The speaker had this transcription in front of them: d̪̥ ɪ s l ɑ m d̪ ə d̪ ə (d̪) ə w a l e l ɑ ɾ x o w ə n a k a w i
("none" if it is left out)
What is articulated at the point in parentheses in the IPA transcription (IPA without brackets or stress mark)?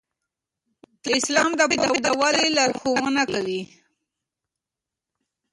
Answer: d̪